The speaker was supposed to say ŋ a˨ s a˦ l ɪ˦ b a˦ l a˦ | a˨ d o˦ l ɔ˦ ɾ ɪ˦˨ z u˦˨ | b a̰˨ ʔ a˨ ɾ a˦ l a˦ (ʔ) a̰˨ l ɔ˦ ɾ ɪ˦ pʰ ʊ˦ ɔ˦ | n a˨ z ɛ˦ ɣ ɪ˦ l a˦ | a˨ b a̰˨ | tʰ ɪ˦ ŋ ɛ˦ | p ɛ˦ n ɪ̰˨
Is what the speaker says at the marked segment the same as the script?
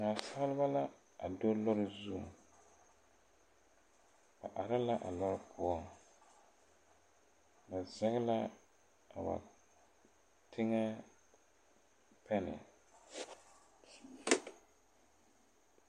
yes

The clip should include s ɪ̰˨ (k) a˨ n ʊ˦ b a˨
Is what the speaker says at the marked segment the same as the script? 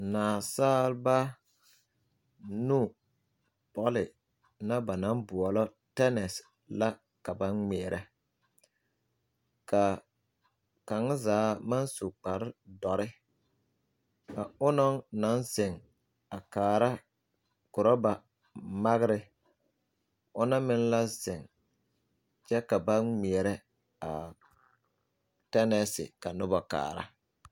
yes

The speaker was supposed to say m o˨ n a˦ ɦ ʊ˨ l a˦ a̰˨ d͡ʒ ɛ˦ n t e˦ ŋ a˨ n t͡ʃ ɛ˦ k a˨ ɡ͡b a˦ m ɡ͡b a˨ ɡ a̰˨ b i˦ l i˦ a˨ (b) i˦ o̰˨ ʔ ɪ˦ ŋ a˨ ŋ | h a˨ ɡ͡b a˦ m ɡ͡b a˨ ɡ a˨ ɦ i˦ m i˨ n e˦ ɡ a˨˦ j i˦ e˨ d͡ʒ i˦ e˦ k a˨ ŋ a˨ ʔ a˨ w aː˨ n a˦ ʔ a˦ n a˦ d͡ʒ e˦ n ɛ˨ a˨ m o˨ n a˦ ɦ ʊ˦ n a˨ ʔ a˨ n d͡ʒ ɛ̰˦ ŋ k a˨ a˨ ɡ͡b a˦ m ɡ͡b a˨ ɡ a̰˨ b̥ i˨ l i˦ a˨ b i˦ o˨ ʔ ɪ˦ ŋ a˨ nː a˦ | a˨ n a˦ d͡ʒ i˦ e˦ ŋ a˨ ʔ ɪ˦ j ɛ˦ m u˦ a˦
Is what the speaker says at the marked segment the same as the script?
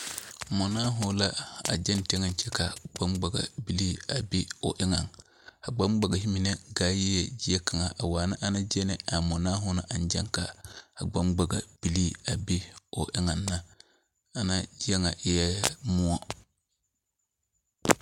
yes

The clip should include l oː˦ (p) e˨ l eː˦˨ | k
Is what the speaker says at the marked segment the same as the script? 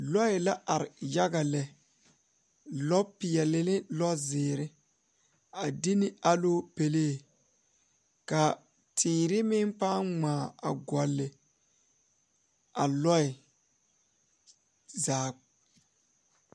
yes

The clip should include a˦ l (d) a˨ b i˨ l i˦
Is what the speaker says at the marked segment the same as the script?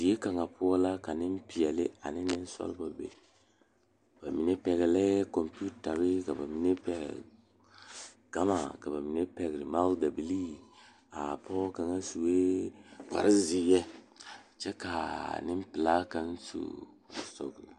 yes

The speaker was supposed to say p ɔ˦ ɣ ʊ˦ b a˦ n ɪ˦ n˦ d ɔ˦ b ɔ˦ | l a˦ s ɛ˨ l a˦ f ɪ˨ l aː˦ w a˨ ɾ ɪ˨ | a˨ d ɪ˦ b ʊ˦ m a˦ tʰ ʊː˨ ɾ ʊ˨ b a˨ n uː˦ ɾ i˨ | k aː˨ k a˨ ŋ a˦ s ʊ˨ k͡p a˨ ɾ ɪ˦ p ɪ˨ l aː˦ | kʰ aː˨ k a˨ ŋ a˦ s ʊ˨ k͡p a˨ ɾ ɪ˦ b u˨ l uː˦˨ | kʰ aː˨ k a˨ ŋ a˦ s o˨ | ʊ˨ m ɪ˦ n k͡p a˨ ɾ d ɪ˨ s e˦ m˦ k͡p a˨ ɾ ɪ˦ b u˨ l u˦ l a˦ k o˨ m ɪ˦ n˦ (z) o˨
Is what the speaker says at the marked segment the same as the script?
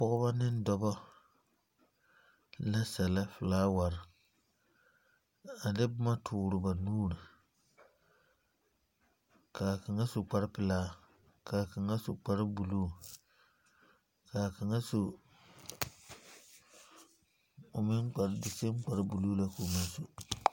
no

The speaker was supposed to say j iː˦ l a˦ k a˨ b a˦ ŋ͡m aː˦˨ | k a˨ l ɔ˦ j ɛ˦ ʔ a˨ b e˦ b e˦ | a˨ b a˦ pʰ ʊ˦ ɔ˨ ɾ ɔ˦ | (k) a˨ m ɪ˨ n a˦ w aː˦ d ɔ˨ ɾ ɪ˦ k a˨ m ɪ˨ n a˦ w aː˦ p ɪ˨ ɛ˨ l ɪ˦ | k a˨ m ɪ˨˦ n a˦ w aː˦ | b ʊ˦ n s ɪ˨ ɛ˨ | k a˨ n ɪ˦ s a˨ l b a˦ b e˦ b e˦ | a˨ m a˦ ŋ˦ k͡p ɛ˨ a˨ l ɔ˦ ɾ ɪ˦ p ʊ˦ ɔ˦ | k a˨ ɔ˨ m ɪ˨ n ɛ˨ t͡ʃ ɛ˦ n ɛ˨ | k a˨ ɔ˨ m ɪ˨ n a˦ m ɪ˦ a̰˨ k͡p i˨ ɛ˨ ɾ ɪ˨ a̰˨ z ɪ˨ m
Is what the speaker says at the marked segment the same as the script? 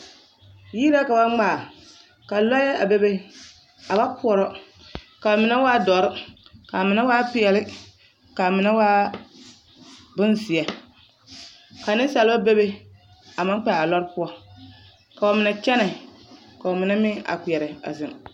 yes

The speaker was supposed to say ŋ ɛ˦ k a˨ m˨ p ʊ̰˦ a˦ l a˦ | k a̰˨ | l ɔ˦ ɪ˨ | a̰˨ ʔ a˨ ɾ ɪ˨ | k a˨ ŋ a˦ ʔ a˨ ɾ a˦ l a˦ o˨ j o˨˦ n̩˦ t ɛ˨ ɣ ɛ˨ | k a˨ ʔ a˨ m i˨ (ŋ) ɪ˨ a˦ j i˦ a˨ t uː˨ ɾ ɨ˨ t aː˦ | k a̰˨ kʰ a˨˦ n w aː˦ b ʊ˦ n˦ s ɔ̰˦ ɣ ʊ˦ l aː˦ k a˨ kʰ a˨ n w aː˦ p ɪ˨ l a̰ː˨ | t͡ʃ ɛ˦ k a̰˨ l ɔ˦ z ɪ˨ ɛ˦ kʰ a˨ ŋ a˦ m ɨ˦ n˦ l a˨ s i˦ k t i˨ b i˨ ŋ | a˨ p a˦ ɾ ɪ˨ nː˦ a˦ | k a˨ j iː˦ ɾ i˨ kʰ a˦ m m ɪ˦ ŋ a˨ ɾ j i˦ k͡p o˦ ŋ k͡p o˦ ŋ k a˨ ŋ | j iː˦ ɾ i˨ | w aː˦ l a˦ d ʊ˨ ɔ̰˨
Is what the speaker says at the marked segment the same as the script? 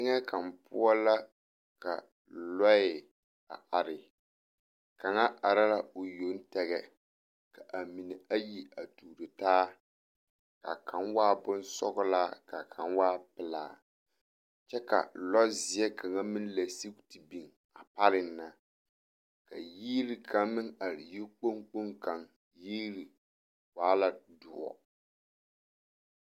no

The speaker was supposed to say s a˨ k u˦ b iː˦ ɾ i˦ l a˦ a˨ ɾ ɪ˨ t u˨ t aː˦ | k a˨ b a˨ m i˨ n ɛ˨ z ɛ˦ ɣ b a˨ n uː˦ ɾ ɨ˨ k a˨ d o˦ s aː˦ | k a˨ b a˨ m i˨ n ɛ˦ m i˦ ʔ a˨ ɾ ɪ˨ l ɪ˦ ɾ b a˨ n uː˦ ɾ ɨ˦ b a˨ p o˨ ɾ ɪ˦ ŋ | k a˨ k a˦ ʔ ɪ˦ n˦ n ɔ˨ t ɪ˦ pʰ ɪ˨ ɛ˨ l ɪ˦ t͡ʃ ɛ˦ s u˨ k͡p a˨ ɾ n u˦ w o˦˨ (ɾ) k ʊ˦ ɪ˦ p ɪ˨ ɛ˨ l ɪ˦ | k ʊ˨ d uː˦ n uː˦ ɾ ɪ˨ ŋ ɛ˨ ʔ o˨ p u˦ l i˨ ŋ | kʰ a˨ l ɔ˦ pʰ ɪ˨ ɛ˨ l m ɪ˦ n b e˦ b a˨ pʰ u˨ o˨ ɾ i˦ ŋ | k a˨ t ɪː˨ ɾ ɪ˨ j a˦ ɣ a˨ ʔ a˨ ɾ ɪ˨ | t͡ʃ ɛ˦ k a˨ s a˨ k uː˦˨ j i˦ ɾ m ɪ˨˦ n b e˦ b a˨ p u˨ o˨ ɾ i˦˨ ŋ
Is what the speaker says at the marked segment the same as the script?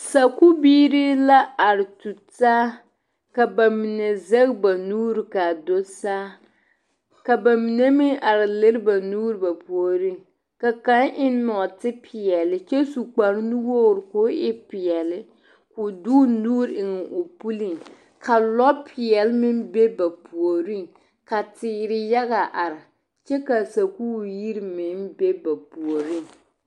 yes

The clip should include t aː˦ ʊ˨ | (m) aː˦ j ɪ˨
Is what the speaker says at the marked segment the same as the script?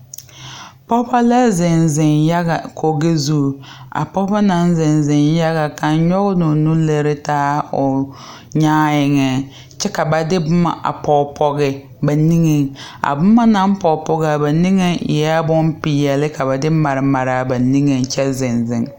no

